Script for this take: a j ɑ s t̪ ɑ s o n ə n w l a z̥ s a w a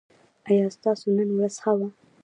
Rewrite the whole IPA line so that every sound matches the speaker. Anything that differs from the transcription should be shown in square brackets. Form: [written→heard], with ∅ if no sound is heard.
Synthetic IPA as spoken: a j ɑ s t̪ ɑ s o n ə n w [l→ɾ] a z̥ [s→x] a w a